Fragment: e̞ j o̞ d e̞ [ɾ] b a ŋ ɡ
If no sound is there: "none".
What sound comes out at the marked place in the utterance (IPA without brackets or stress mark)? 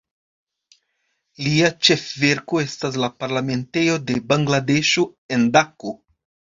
none